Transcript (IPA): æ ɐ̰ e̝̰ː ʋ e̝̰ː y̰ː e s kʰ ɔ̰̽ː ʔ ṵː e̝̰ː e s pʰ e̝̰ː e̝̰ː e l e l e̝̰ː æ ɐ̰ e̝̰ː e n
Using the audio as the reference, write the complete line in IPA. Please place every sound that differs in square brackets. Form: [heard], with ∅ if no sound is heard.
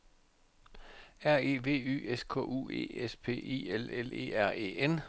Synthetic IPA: æ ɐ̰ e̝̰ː ʋ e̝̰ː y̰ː e s kʰ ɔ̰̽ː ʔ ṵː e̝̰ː e s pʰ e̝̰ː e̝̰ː e l e l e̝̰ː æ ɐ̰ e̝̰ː e n